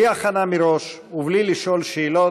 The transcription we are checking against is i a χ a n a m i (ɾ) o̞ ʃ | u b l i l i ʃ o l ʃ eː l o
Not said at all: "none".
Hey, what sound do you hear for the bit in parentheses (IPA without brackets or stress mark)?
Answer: ɾ